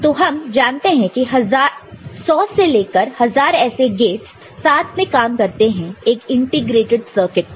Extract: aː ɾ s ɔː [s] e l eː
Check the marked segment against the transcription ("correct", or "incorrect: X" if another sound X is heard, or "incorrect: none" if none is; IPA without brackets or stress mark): correct